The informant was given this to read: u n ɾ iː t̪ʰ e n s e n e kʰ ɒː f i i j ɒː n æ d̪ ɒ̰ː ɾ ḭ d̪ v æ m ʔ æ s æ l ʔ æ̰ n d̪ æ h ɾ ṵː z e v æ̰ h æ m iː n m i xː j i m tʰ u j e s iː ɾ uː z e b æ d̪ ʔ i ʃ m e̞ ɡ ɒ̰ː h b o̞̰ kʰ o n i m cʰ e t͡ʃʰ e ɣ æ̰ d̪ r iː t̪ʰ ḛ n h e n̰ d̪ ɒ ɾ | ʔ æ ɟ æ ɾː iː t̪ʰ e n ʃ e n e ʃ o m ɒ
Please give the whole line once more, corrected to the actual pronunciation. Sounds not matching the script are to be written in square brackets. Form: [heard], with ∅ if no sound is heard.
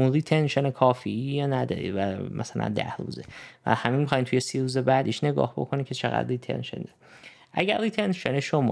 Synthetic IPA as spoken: u n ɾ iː t̪ʰ e n [ʃ] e n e kʰ ɒː f i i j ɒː n æ d̪ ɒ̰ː ɾ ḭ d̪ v æ m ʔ æ s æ l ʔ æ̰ n d̪ æ h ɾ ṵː z e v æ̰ h æ m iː n m i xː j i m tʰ u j e s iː ɾ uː z e b æ d̪ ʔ i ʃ [n] e̞ ɡ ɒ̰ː h b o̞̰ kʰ o n i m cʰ e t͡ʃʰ e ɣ æ̰ d̪ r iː t̪ʰ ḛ n [ʃ] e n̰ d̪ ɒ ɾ | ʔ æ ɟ æ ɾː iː t̪ʰ e n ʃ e n e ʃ o m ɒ